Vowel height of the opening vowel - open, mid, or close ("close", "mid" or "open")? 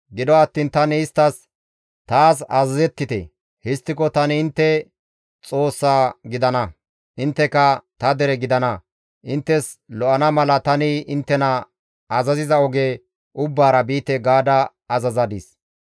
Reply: close